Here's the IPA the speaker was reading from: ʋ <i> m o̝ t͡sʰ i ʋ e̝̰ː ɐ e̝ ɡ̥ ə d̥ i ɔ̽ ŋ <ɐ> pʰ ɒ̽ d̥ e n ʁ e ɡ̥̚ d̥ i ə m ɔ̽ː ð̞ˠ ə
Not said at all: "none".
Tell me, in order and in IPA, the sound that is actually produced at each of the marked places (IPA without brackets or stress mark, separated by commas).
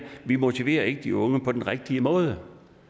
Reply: i, ə